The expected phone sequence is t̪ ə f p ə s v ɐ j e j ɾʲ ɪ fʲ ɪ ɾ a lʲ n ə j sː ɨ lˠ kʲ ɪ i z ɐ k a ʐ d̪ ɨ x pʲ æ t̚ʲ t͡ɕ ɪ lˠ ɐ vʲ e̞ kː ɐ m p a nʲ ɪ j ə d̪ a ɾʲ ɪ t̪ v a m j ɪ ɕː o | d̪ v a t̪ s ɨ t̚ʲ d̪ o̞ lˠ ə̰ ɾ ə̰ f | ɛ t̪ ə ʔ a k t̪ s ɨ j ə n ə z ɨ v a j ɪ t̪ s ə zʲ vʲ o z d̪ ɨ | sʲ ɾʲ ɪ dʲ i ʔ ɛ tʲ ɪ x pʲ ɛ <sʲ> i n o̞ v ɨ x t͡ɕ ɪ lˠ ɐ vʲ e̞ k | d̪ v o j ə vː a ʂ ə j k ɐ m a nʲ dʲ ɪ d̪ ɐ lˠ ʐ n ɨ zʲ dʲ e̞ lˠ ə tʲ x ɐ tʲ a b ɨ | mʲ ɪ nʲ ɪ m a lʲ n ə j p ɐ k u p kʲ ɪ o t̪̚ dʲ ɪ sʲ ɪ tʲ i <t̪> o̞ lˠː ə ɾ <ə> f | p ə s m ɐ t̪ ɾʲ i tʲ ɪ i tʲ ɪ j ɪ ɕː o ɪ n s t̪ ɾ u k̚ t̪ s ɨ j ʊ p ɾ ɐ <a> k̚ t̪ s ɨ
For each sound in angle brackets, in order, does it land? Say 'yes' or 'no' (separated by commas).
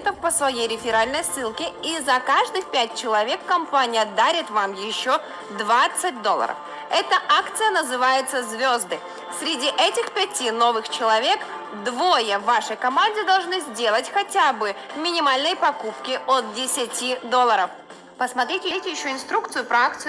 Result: no, no, yes, yes